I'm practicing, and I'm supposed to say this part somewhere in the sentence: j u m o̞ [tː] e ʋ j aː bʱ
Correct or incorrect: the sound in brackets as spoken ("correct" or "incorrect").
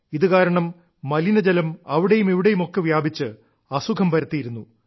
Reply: incorrect